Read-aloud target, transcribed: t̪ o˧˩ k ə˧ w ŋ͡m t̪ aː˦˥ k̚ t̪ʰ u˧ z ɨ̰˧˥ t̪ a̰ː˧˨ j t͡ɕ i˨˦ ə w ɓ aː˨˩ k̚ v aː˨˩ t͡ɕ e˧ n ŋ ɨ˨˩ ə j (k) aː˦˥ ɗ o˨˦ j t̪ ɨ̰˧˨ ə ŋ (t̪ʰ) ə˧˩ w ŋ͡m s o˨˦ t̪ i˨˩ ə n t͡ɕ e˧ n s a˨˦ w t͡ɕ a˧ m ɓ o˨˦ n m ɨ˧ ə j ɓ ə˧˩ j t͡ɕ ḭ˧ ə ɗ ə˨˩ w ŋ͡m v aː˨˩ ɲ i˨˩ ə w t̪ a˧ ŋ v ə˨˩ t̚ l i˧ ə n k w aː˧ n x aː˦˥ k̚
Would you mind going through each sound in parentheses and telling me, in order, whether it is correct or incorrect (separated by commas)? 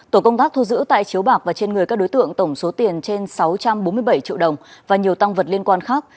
correct, incorrect